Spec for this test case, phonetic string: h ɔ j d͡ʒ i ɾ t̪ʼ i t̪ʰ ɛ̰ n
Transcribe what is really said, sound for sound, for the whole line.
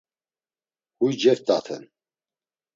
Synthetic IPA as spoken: h u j d͡ʒ ɛ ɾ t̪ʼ a t̪ʰ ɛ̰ n